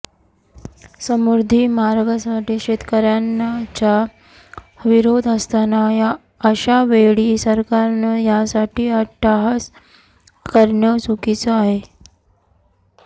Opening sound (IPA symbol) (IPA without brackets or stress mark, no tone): s